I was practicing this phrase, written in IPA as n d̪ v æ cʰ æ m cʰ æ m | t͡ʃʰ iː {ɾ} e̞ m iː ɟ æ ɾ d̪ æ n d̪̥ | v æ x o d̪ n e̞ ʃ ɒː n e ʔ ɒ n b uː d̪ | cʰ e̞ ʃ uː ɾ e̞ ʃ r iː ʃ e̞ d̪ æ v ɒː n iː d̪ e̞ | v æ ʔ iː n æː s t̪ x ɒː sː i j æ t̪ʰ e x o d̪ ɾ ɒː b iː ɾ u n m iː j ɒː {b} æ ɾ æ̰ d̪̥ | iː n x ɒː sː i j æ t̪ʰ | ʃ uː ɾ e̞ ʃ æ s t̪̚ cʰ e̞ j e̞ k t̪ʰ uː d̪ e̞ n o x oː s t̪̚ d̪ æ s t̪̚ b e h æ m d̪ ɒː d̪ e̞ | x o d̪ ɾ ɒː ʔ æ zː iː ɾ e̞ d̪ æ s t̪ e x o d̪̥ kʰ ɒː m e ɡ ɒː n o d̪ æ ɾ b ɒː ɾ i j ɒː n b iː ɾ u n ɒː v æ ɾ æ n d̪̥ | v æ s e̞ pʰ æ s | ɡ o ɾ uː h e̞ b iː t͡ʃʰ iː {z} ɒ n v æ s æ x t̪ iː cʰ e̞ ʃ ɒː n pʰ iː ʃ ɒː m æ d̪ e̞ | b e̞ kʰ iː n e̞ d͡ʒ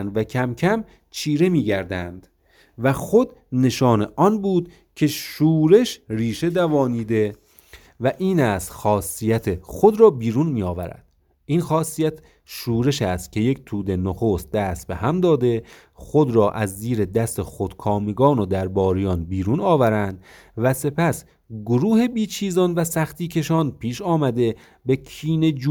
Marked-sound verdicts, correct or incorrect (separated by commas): correct, incorrect, correct